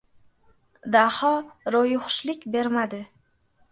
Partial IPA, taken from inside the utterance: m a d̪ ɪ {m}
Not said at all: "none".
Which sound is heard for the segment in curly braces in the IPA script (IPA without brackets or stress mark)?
none